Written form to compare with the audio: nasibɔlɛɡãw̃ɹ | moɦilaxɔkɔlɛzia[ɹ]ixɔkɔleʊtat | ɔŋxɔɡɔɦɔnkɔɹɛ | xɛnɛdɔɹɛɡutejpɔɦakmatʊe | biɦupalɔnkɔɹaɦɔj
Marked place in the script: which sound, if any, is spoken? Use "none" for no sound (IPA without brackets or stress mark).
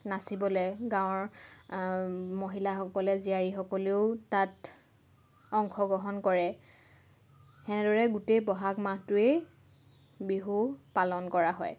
ɹ